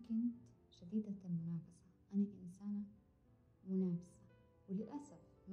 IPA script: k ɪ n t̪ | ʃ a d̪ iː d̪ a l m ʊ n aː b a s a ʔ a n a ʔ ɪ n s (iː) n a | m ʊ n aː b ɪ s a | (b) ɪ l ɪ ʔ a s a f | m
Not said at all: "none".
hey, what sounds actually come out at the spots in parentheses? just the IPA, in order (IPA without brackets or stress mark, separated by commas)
aː, w